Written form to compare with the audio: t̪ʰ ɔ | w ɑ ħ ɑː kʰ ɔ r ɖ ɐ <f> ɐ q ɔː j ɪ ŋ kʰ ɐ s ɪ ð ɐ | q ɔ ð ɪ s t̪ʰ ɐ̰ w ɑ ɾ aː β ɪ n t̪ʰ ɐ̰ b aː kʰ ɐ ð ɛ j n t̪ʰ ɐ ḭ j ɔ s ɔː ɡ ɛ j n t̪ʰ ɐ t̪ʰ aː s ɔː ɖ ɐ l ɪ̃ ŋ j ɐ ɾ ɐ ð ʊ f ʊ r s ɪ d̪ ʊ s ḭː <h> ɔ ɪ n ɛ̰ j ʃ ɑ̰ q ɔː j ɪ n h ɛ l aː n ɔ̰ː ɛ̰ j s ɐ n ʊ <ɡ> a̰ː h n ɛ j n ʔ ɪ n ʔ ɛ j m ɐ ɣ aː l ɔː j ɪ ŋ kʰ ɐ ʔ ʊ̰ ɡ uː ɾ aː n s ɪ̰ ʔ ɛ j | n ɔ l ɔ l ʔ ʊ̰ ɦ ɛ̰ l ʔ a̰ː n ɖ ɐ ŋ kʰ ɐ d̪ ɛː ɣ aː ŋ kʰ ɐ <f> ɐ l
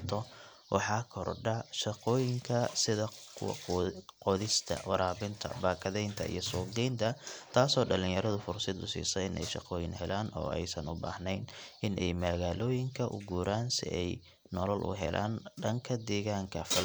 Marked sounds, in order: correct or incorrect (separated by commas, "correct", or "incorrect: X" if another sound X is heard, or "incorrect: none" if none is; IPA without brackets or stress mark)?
incorrect: ʃ, incorrect: s, incorrect: b, correct